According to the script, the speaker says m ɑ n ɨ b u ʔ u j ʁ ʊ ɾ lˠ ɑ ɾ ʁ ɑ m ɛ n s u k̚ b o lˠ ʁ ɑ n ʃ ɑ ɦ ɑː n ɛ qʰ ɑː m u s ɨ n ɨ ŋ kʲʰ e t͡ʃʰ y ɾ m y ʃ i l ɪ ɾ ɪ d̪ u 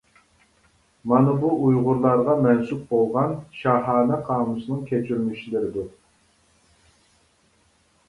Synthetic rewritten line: m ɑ n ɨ b u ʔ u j ʁ ʊ ɾ lˠ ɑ ɾ ʁ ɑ m ɛ n s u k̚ b o lˠ ʁ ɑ n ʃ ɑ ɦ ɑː n ɛ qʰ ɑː m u s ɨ n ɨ ŋ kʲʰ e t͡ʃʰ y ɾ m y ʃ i l ɪ ɾ ɪ d̪ u